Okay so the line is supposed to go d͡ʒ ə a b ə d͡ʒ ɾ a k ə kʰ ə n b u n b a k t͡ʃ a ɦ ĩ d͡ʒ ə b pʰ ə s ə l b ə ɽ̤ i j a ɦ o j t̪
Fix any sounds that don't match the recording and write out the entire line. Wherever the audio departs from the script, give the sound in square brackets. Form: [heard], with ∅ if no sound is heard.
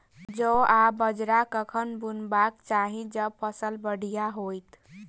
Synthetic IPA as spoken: d͡ʒ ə a b ə d͡ʒ ɾ a k ə kʰ ə n b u n b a k t͡ʃ a ɦ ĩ d͡ʒ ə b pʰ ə s ə l b ə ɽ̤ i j a ɦ o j t̪